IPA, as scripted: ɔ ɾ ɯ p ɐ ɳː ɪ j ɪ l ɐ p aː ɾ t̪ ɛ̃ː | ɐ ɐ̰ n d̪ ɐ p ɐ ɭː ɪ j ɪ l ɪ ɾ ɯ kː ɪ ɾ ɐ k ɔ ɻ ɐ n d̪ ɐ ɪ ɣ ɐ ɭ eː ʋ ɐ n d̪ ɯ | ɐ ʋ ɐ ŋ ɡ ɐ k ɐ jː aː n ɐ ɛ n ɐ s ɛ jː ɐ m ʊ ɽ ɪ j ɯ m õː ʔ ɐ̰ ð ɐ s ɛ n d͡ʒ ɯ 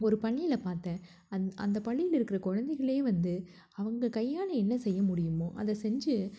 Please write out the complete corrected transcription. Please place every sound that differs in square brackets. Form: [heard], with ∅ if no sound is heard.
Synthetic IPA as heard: ɔ ɾ ɯ p ɐ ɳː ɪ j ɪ l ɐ p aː ɾ t̪ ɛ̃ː | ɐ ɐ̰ n d̪ ɐ p ɐ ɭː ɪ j ɪ l ɪ ɾ ɯ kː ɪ ɾ ɐ k ɔ ɻ ɐ n d̪ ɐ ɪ ɣ ɐ ɭ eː ʋ ɐ n d̪ ɯ | ɐ ʋ ɐ ŋ ɡ ɐ k ɐ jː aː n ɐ ɛ [nː] ɐ s ɛ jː ɐ m ʊ ɽ ɪ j ɯ m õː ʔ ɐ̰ ð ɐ s ɛ [ɲ] d͡ʒ ɯ